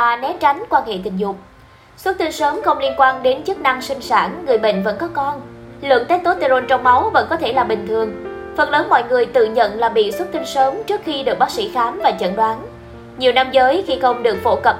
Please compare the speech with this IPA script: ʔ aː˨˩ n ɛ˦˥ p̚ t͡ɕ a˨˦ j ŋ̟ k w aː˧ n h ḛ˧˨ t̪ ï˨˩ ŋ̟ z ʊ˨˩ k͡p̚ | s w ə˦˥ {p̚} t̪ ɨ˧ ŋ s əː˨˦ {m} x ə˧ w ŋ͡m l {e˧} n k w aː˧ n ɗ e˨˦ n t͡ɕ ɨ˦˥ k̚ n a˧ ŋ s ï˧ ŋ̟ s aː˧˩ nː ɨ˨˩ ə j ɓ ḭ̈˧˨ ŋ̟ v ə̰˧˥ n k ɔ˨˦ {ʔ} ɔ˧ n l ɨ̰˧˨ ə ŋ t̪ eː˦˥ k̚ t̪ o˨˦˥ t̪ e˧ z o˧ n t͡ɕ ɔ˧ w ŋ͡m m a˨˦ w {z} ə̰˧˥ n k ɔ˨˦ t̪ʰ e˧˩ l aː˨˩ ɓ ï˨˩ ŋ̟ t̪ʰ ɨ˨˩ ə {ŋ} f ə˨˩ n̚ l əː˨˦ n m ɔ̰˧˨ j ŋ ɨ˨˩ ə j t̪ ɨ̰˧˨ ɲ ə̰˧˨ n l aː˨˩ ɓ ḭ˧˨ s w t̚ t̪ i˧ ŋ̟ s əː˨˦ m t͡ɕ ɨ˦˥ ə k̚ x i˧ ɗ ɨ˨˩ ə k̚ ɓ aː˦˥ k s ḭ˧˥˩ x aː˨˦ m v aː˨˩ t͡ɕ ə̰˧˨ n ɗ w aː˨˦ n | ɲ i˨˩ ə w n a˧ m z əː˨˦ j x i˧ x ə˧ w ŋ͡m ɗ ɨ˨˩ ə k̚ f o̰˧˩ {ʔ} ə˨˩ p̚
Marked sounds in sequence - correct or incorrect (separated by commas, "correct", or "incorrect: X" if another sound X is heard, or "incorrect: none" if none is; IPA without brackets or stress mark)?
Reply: incorrect: t̚, correct, incorrect: i˧, incorrect: k, incorrect: v, correct, incorrect: k